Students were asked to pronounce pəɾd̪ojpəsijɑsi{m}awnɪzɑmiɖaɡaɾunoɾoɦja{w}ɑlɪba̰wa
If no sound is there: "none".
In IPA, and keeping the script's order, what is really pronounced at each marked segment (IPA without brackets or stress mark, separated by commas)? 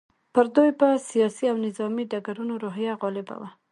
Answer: none, ɣ